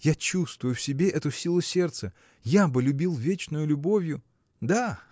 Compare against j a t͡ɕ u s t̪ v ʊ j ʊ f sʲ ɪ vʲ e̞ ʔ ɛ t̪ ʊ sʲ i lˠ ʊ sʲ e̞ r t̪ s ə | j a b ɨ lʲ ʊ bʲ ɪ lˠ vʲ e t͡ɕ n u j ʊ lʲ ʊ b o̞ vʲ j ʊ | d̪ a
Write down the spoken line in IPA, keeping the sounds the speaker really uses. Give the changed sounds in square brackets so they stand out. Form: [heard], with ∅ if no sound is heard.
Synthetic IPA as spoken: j a t͡ɕ u s t̪ v ʊ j ʊ f sʲ ɪ [bʲ] e̞ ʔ ɛ t̪ ʊ sʲ i lˠ ʊ sʲ e̞ r t̪ s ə | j a b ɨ lʲ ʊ bʲ [i] lˠ vʲ e t͡ɕ n [ʊ] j ʊ lʲ ʊ b o̞ vʲ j ʊ | d̪ a